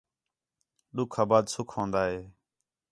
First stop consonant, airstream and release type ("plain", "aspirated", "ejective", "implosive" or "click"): implosive